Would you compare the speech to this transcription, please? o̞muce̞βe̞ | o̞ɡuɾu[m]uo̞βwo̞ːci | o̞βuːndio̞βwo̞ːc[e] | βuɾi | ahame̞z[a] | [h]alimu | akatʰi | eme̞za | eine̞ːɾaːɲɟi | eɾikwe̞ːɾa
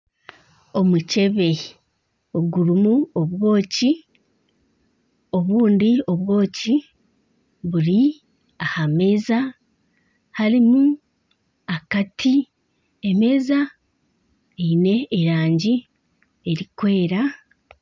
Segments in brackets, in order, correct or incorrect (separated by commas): correct, incorrect, correct, correct